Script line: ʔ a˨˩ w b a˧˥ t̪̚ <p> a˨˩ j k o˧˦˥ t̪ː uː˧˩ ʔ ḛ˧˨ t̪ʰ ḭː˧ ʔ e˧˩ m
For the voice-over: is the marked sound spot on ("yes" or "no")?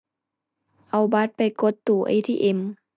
yes